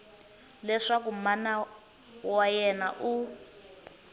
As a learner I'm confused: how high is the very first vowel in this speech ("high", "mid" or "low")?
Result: mid